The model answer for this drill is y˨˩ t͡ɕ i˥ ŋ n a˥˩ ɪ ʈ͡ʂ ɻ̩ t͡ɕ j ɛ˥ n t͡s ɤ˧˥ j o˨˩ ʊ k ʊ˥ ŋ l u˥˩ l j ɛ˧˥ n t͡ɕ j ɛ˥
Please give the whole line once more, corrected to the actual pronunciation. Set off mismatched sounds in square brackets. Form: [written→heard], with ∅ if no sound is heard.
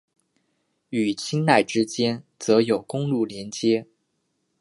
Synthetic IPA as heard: y˨˩ [t͡ɕ→t͡ɕʰ] i˥ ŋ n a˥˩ ɪ ʈ͡ʂ ɻ̩ t͡ɕ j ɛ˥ n t͡s ɤ˧˥ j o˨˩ ʊ k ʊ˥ ŋ l u˥˩ l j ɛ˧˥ n t͡ɕ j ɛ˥